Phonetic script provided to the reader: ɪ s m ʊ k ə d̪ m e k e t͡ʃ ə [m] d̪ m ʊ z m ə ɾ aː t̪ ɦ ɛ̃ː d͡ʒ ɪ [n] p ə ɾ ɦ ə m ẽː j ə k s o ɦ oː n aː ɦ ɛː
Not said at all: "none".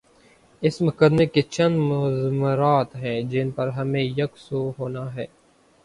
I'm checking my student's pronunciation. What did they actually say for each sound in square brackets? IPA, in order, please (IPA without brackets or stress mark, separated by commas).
n, n